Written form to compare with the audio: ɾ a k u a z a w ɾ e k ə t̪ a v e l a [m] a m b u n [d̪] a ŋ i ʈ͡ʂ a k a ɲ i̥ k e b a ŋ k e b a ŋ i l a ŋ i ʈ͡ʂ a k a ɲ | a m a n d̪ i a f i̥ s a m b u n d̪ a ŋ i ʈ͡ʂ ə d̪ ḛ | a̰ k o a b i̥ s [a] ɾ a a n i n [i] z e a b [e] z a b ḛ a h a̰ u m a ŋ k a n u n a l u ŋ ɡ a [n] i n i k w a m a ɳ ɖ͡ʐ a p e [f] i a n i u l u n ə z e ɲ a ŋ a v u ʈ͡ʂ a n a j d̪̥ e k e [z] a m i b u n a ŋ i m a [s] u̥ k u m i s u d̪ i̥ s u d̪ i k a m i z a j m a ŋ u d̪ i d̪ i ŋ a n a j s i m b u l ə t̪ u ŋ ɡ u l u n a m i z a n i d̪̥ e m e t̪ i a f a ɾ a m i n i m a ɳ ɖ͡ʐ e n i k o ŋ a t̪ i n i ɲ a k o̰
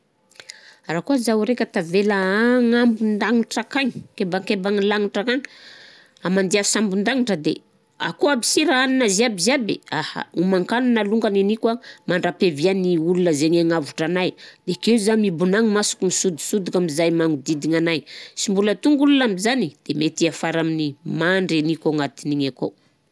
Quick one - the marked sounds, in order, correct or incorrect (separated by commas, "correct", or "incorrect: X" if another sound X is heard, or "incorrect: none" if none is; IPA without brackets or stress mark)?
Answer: incorrect: ŋ, correct, incorrect: i, incorrect: a, incorrect: i, correct, incorrect: v, correct, correct